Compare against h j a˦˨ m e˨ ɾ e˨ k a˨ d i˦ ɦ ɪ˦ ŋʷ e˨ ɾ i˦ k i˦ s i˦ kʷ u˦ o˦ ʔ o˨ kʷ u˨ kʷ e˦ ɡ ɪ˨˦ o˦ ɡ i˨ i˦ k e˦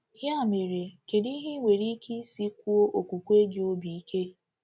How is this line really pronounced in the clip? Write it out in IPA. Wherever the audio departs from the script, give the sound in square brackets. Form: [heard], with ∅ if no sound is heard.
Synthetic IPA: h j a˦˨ m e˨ ɾ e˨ k [e˨] d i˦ ɦ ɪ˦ ŋʷ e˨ ɾ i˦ k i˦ s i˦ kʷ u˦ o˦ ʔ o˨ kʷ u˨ kʷ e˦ ɡ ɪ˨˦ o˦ [b] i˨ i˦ k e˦